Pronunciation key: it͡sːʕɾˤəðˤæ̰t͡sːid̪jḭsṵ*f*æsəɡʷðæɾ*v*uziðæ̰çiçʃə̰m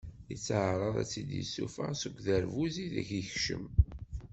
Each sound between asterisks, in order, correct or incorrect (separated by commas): correct, correct